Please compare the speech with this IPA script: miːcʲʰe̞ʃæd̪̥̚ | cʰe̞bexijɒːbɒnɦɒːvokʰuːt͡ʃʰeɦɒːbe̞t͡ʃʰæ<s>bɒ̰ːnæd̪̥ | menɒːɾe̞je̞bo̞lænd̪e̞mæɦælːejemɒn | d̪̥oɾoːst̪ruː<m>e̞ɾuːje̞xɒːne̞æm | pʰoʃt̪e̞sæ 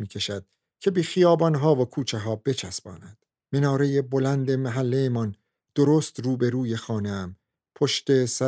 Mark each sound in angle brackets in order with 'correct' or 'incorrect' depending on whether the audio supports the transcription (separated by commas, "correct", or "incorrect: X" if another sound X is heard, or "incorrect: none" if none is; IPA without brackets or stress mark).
correct, incorrect: b